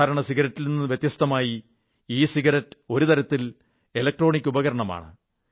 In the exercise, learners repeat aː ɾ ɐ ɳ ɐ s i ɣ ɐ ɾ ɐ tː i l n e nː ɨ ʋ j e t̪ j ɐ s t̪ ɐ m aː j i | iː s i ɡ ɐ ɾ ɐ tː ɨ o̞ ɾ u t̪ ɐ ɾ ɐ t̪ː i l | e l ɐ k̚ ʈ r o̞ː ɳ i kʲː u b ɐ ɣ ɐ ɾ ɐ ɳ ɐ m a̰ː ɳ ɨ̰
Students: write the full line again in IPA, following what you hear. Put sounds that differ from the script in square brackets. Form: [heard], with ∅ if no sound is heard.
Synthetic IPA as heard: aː ɾ ɐ ɳ ɐ s i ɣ ɐ ɾ ɐ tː i l n [i] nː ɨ ʋ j e t̪ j ɐ s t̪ ɐ m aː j i | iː s i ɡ ɐ ɾ ɐ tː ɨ o̞ ɾ u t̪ ɐ ɾ ɐ t̪ː i l | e l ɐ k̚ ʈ r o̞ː ɳ i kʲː u b ɐ ɣ ɐ ɾ ɐ ɳ ɐ m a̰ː ɳ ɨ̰